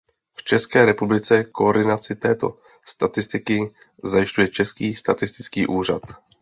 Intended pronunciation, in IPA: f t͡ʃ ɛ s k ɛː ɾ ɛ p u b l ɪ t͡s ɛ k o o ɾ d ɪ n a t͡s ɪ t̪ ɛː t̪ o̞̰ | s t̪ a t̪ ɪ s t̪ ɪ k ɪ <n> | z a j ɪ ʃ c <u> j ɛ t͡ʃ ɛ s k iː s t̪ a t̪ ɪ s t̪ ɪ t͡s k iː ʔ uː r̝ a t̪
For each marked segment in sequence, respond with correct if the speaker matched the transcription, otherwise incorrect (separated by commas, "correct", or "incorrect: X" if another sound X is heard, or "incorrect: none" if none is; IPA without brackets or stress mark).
incorrect: none, correct